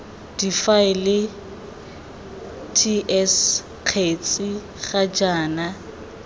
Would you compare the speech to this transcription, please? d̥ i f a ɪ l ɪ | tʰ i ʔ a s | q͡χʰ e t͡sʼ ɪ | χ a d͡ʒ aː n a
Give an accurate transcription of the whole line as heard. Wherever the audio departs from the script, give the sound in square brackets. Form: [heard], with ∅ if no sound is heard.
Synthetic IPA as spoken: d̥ i f a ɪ l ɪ | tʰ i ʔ [ɛ] s | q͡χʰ e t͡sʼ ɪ | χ a d͡ʒ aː n a